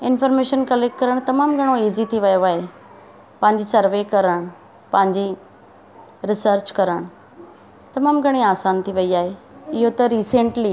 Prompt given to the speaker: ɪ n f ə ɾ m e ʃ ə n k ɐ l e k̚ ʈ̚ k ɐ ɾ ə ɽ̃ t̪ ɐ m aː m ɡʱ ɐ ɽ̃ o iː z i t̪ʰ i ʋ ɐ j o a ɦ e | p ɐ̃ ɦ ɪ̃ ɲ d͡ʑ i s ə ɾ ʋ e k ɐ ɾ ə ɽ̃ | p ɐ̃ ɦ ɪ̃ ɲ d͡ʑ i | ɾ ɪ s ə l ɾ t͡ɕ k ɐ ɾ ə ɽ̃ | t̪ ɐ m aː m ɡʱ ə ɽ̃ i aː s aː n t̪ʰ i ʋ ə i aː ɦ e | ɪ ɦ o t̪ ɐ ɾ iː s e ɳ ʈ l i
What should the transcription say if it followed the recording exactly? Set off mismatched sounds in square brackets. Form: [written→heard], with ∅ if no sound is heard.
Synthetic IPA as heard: ɪ n f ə ɾ m e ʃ ə n k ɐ l e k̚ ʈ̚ k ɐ ɾ ə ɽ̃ t̪ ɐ m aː m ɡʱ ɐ ɽ̃ o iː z i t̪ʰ i ʋ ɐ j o a ɦ e | p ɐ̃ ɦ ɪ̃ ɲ d͡ʑ i s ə ɾ ʋ e k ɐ ɾ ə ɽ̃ | p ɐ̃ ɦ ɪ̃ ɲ d͡ʑ i | ɾ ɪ s ə [l→∅] ɾ t͡ɕ k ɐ ɾ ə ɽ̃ | t̪ ɐ m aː m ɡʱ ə ɽ̃ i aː s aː n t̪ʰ i ʋ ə i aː ɦ e | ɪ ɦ o t̪ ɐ ɾ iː s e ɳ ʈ l i